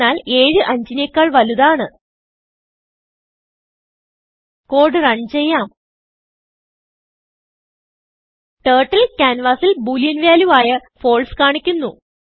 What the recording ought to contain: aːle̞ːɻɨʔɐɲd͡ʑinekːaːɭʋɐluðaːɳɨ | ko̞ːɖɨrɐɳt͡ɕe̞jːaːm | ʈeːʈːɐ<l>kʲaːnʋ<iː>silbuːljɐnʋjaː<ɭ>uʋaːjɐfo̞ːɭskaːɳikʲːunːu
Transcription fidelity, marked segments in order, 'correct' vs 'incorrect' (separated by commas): correct, incorrect, incorrect